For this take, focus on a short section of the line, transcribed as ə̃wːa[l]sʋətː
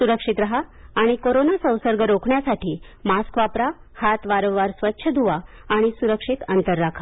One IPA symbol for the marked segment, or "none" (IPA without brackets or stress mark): ɾ